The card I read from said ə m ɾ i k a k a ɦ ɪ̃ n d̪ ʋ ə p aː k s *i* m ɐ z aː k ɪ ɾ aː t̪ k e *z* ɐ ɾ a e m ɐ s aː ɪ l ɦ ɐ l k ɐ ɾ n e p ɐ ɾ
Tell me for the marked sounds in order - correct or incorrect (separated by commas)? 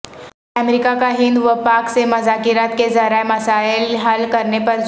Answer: incorrect, correct